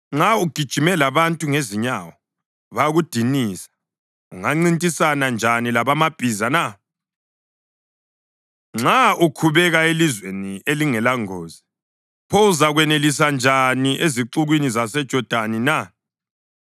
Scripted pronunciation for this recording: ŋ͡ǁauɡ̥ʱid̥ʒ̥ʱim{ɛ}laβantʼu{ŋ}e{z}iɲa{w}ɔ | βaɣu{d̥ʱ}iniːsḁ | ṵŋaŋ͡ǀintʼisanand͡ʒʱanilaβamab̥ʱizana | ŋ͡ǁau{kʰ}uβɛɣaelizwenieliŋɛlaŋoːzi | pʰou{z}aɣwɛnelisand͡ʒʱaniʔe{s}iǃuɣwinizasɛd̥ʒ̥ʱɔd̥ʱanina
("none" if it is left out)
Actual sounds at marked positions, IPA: ɛ, ŋ, z, w, d̥ʱ, kʰ, z, z

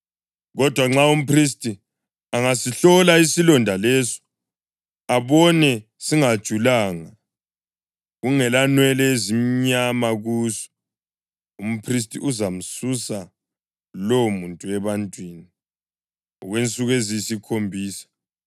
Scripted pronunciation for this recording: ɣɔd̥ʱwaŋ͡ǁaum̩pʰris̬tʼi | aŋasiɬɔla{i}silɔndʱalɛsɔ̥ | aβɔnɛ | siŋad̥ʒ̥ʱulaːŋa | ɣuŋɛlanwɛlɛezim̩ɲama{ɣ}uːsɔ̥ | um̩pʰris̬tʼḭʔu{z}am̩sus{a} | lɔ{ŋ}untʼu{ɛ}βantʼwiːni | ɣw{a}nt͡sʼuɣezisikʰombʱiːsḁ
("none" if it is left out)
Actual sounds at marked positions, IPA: i, ɣ, z, a, m, ɛ, e

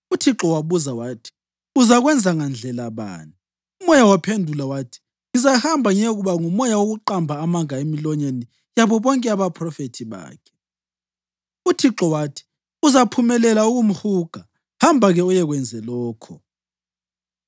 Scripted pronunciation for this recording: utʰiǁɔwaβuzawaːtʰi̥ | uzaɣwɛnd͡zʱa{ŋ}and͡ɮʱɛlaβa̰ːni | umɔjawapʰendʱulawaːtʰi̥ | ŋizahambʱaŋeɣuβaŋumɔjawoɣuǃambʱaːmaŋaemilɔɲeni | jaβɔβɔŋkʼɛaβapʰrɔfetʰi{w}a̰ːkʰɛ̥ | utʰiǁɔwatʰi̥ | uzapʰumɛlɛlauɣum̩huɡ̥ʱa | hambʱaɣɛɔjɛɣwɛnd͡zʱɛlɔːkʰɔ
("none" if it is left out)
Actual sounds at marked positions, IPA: ŋ, β

